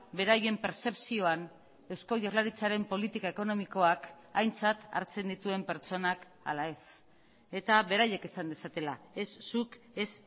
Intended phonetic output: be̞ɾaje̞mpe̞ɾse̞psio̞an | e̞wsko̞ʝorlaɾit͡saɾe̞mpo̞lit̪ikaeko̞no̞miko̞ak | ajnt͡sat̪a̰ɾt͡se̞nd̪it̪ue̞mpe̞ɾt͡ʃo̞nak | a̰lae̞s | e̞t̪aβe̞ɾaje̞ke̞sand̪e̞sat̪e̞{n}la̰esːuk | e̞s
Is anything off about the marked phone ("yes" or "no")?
yes